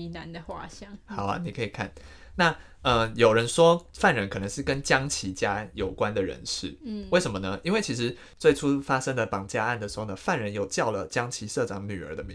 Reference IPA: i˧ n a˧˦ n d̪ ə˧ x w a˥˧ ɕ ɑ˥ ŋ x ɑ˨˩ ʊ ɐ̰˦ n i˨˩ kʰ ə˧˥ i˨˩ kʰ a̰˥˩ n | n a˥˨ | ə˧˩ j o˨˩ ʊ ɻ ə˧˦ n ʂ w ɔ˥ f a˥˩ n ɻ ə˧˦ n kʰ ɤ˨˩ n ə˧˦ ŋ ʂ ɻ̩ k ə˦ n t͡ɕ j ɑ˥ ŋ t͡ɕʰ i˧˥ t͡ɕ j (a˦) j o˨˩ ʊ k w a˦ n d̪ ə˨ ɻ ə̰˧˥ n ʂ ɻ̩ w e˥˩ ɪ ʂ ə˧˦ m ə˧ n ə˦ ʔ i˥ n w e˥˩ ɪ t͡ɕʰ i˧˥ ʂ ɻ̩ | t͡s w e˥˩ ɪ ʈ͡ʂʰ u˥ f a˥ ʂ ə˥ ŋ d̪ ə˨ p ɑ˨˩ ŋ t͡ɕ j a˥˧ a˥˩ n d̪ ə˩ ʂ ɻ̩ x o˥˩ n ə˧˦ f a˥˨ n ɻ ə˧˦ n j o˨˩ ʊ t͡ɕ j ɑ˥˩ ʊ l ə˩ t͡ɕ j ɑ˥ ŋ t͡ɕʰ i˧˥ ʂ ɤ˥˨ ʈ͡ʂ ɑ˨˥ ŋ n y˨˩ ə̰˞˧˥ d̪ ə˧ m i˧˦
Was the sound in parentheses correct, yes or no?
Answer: yes